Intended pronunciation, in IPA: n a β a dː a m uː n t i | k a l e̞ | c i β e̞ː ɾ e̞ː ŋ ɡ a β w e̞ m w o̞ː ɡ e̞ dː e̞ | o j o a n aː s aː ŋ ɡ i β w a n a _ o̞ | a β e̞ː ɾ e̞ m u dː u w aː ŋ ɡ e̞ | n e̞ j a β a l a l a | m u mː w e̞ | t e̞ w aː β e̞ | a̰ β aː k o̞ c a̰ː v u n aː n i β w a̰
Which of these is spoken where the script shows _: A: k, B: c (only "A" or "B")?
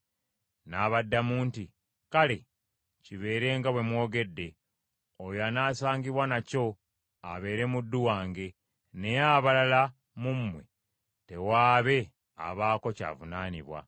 B